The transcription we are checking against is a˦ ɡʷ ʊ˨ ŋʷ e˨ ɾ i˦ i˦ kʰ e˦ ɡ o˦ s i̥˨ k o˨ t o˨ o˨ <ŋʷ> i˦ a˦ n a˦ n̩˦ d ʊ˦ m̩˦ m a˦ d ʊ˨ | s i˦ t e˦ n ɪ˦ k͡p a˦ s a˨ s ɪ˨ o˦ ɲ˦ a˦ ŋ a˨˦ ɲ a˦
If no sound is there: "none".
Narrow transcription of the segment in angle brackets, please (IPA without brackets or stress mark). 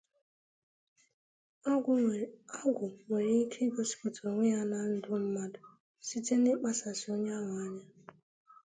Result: ŋʷ